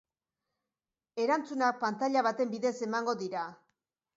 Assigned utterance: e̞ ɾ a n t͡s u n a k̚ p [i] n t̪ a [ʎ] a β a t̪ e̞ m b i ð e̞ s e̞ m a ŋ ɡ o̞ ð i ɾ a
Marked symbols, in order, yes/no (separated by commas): no, yes